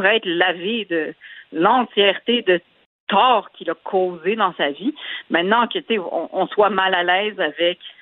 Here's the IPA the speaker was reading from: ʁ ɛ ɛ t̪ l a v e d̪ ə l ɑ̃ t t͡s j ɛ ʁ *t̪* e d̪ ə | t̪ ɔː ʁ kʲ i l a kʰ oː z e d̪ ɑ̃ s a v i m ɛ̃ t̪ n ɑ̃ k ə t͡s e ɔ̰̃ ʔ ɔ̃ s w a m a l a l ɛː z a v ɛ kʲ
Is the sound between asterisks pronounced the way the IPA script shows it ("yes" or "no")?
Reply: yes